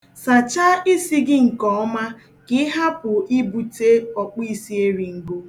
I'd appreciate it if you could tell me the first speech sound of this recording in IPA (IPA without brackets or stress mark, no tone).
s